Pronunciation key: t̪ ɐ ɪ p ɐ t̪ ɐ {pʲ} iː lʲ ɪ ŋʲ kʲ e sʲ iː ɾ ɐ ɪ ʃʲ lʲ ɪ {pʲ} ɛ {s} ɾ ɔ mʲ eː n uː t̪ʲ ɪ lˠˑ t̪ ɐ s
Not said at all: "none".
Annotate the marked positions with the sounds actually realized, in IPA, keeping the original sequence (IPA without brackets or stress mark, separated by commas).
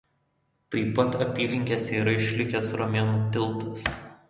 pʲ, kʲ, s